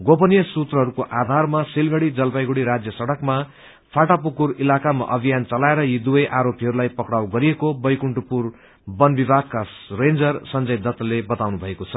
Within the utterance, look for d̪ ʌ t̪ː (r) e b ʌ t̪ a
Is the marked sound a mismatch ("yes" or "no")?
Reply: yes